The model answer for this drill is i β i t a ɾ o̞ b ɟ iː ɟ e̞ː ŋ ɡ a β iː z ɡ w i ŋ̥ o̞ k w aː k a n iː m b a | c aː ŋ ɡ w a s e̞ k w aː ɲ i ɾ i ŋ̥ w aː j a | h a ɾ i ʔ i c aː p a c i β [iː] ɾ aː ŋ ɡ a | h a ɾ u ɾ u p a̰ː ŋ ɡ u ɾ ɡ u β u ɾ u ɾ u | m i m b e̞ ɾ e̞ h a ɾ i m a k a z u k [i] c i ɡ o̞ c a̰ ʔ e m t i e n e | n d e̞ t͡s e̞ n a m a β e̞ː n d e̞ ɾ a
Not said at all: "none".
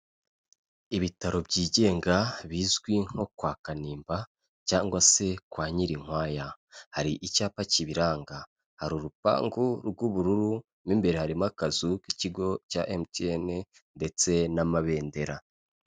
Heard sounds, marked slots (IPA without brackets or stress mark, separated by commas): i, i